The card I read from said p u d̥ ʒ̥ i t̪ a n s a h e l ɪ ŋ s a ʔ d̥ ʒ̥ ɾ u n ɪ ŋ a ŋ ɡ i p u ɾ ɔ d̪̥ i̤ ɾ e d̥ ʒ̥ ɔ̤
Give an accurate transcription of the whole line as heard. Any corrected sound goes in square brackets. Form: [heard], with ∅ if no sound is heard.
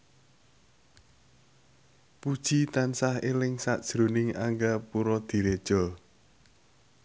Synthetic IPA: p u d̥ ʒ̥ i t̪ a n s a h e l ɪ ŋ s a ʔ d̥ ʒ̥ ɾ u n ɪ ŋ a ŋ ɡ [a] p u ɾ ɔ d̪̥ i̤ ɾ e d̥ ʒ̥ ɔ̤